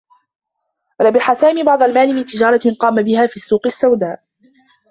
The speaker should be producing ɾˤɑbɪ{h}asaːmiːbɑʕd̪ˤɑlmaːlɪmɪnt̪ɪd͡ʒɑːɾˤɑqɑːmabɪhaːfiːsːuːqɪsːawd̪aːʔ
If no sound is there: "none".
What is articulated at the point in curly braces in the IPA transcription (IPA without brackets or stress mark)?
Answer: ħ